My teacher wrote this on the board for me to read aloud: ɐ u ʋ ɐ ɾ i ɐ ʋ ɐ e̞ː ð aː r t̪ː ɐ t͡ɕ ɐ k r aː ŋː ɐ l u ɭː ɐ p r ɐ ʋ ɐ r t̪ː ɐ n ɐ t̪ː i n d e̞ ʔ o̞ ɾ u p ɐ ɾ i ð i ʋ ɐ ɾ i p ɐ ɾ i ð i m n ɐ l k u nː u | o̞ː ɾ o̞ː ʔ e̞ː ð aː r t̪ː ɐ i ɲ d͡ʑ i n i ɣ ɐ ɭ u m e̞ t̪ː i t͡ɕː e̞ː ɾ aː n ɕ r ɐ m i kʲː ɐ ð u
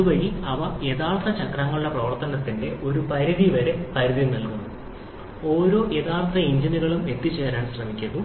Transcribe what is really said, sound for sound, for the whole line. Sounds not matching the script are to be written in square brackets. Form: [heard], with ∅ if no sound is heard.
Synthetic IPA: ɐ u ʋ ɐ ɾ i ɐ ʋ ɐ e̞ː ð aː [ɭ] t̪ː ɐ t͡ɕ ɐ k r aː ŋː ɐ [ɭ] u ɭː ɐ p r ɐ ʋ ɐ r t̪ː ɐ n ɐ t̪ː i n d e̞ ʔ o̞ ɾ u p ɐ ɾ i ð i ʋ ɐ ɾ [e] p ɐ ɾ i ð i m n ɐ l k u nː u | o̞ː ɾ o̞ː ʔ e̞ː ð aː [ɭ] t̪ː ɐ i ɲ d͡ʑ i n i ɣ ɐ ɭ u m e̞ t̪ː i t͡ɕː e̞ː ɾ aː n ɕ r ɐ m i kʲː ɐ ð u